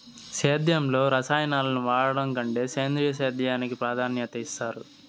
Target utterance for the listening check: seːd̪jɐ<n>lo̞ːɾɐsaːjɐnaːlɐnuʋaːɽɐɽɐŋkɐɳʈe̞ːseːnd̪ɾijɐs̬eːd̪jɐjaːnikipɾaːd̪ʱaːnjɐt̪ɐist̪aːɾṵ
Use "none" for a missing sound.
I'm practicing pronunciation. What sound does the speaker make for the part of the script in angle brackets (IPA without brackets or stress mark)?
m